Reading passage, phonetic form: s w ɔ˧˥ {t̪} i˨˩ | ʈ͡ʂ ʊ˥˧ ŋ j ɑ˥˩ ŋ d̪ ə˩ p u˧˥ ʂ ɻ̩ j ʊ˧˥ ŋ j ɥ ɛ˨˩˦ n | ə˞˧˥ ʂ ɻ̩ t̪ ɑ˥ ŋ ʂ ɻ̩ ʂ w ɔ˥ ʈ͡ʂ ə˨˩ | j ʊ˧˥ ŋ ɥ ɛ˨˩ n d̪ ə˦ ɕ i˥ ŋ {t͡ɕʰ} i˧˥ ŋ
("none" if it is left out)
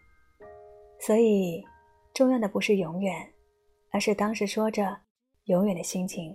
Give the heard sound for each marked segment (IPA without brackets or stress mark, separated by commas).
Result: none, t͡ɕʰ